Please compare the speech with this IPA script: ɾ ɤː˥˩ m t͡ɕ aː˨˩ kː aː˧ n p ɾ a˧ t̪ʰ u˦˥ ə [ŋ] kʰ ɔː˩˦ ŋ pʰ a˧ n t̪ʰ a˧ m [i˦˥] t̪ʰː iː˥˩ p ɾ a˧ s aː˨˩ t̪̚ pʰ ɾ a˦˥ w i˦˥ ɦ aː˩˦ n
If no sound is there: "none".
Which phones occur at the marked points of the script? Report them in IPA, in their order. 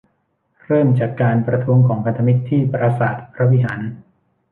ŋ, i˦˥

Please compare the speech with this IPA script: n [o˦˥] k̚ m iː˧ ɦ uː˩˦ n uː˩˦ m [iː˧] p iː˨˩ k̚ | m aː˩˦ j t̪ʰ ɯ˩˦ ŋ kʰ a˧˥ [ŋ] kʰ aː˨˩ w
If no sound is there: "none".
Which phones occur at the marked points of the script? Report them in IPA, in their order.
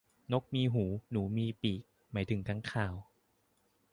o˦˥, iː˧, ŋ

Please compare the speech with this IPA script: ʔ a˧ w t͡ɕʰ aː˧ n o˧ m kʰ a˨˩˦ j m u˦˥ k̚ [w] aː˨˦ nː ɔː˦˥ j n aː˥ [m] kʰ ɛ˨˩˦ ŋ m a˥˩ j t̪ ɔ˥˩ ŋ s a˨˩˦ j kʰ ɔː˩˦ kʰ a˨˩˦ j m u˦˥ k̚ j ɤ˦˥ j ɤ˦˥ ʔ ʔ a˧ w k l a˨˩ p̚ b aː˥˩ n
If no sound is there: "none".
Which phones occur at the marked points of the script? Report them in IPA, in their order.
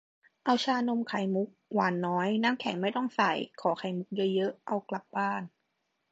w, m

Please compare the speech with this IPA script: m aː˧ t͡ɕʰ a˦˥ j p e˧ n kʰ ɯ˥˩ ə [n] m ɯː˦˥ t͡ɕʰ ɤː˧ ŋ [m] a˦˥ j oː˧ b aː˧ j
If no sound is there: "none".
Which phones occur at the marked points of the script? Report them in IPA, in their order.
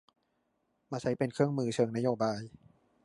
ŋ, n

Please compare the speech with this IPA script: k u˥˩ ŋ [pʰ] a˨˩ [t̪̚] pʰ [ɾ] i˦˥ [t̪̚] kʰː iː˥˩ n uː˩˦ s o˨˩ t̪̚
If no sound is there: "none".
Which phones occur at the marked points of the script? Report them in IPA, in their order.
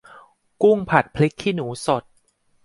pʰ, t̪̚, l, none

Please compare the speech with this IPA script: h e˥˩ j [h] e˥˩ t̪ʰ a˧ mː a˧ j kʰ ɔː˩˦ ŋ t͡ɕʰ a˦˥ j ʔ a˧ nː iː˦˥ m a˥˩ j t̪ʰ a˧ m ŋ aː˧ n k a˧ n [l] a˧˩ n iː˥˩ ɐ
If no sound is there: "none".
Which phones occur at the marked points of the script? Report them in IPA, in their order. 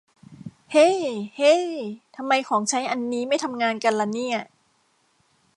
h, l

